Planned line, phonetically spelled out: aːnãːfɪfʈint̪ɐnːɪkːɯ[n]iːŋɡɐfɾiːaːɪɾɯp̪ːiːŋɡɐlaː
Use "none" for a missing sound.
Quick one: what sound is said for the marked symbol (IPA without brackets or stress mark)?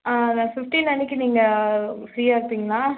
n